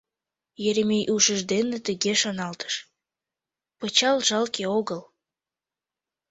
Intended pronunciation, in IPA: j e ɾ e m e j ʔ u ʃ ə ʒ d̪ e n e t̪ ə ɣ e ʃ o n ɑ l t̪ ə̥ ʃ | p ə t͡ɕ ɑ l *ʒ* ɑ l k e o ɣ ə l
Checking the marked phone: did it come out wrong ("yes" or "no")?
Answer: no